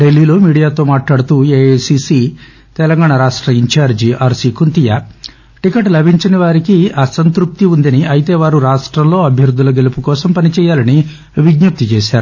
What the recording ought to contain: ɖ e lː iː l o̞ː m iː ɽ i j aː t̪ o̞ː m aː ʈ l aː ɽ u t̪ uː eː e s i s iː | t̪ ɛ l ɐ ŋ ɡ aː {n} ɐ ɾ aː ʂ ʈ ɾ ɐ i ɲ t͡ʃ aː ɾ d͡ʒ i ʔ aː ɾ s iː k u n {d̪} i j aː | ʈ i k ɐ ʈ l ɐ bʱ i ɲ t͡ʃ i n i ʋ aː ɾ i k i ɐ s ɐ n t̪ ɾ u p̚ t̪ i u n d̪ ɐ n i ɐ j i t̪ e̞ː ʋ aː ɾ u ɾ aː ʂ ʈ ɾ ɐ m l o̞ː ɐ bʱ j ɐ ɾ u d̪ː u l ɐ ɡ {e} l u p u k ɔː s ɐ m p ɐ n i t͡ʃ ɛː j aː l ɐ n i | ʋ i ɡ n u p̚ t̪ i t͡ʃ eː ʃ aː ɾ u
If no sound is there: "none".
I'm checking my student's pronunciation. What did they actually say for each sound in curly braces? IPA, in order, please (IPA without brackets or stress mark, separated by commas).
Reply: ɳ, t̪, e